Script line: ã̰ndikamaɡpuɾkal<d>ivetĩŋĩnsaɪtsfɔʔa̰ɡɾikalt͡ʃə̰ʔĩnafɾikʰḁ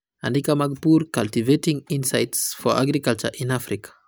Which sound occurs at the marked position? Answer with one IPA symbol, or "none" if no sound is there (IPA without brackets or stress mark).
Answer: t